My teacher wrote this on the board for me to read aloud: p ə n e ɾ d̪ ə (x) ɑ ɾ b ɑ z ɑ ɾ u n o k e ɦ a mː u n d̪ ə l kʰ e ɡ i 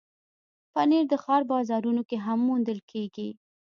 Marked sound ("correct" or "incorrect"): correct